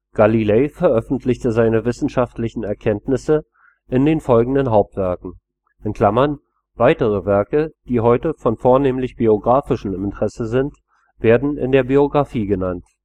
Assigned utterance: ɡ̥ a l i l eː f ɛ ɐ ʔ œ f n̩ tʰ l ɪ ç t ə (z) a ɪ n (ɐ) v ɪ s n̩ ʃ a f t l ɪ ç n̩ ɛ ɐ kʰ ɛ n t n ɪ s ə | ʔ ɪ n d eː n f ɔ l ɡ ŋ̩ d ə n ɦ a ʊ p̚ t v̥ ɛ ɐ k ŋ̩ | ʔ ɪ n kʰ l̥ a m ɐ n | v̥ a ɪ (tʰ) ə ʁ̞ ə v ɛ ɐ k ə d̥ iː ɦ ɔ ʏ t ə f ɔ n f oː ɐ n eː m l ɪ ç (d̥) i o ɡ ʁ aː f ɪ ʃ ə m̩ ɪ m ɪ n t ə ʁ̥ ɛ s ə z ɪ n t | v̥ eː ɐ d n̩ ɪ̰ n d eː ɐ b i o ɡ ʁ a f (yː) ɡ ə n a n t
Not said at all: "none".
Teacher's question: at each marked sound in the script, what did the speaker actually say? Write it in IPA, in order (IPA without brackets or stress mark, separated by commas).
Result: z, ə, t, b̥, iː